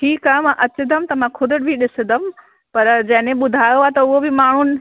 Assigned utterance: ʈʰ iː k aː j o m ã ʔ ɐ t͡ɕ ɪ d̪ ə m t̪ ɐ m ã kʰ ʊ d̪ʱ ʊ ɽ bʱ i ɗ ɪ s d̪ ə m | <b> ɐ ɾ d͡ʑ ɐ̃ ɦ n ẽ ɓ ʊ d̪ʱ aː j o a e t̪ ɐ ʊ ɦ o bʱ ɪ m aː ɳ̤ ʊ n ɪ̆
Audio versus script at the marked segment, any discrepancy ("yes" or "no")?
yes